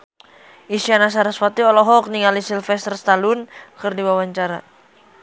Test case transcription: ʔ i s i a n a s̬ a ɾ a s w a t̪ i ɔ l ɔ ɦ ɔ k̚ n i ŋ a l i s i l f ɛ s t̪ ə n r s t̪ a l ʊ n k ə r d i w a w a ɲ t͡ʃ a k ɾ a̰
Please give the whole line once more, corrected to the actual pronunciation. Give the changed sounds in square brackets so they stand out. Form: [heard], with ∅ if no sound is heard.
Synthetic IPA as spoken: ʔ i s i a n a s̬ a ɾ a s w a t̪ i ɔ l ɔ ɦ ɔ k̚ n i ŋ a l i s i l f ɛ s t̪ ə [∅] r s t̪ a l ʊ n k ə r d i w a w a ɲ t͡ʃ a [∅] ɾ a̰